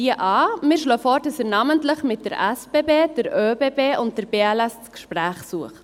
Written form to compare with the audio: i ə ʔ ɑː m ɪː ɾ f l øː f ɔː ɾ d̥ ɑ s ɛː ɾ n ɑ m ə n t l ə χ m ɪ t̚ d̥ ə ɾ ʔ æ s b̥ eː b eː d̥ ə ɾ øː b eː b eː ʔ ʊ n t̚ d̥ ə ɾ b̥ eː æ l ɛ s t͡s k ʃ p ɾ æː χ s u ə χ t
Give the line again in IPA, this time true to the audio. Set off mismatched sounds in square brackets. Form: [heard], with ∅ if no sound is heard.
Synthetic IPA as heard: i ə ʔ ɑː m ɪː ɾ [ʃ] l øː f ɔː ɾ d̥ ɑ s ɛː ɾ n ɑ m ə n t l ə χ m ɪ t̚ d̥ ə ɾ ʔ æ s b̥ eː b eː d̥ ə ɾ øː b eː b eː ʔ ʊ n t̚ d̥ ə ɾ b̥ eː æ l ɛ s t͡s k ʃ p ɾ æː χ s u ə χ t